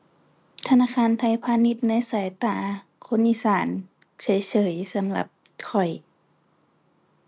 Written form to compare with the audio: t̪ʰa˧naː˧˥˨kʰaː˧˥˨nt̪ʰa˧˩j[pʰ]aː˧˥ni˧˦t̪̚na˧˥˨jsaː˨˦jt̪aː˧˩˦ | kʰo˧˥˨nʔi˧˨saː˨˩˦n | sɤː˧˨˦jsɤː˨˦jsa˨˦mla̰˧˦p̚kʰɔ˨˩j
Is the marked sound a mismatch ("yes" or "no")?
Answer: no